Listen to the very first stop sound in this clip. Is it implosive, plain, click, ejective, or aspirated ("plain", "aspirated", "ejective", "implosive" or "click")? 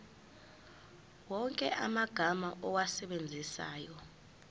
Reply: ejective